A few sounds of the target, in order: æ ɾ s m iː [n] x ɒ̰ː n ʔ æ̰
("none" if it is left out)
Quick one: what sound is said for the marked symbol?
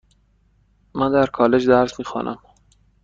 none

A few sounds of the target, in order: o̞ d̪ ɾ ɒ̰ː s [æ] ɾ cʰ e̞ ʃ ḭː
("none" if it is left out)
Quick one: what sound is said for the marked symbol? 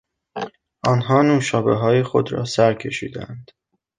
æ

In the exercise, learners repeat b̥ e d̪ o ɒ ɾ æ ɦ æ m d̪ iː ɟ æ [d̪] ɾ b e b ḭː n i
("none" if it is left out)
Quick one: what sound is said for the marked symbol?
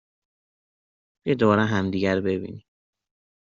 none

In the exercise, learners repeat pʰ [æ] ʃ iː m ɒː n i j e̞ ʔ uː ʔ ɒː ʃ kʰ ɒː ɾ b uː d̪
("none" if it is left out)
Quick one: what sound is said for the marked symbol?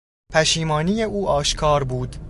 æ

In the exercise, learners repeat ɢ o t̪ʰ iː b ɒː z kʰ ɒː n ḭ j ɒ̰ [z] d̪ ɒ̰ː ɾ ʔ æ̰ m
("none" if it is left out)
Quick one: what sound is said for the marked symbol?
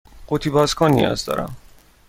z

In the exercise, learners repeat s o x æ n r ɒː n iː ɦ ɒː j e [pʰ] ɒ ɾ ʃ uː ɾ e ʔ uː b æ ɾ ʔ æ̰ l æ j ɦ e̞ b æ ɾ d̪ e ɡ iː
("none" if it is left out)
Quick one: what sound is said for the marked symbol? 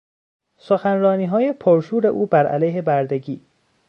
pʰ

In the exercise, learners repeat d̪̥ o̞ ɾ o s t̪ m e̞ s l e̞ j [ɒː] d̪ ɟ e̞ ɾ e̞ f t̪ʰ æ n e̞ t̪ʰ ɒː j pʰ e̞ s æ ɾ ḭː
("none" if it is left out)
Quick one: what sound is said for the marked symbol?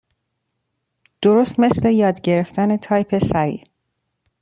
ɒː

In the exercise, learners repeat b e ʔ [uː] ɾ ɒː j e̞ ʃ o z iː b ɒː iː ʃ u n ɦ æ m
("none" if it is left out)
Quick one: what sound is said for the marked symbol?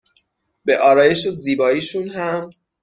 ɒː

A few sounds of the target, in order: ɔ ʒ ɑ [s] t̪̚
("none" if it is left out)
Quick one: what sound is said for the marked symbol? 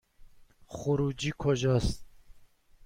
s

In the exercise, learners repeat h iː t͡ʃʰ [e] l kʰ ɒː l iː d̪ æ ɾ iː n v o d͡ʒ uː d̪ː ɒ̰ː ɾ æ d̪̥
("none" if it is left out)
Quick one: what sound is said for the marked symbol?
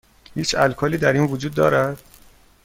æ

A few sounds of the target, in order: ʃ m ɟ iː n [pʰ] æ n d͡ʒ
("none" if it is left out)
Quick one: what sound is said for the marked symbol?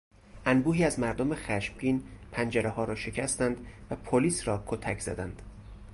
pʰ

